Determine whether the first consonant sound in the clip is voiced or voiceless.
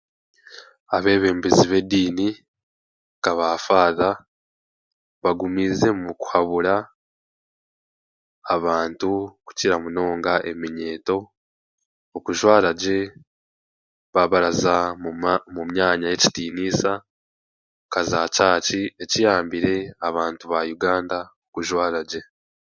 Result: voiced